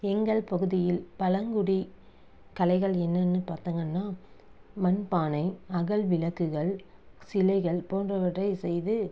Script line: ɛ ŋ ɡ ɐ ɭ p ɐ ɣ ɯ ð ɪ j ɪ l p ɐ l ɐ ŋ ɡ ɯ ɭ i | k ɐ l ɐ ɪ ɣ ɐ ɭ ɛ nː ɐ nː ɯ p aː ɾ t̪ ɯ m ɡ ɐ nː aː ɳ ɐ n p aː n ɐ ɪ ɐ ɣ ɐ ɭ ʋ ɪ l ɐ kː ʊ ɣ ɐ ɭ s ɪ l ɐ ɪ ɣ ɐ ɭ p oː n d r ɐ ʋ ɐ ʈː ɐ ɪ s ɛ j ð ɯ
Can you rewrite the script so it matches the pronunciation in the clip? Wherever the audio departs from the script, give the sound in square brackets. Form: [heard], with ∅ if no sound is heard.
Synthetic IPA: ɛ ŋ ɡ ɐ ɭ p ɐ ɣ ɯ ð ɪ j ɪ l p ɐ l ɐ ŋ ɡ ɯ [ɽ] i | k ɐ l ɐ ɪ ɣ ɐ ɭ ɛ nː ɐ nː ɯ p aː ɾ t̪ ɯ [ŋ] ɡ ɐ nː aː [m] ɐ n p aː n ɐ ɪ ɐ ɣ ɐ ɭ ʋ ɪ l ɐ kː [ɯ] ɣ ɐ ɭ s ɪ l ɐ ɪ ɣ ɐ ɭ p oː n d r ɐ ʋ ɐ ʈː ɐ ɪ s ɛ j ð ɯ